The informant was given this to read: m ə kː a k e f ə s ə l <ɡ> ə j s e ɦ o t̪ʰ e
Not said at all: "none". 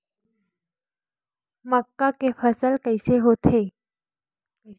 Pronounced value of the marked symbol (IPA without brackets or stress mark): k